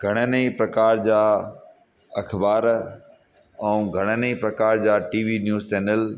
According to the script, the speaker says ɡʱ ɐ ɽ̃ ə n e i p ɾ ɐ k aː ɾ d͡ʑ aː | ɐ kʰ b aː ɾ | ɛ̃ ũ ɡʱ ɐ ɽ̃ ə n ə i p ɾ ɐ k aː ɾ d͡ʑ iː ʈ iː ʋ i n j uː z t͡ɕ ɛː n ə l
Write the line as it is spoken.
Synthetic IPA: ɡʱ ɐ ɽ̃ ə n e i p ɾ ɐ k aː ɾ d͡ʑ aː | ɐ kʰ b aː ɾ | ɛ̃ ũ ɡʱ ɐ ɽ̃ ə n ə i p ɾ ɐ k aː ɾ d͡ʑ aː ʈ iː ʋ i n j uː z t͡ɕ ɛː n ə l